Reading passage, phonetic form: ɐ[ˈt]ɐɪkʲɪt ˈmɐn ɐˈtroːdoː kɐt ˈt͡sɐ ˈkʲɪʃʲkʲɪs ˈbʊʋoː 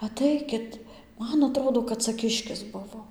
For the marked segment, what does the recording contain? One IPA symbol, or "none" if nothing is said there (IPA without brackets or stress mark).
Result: t